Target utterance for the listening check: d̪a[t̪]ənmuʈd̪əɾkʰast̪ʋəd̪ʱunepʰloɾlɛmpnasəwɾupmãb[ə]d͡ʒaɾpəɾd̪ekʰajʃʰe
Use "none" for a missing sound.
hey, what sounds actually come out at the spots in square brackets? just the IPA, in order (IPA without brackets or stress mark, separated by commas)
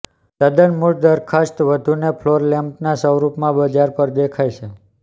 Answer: d̪, ə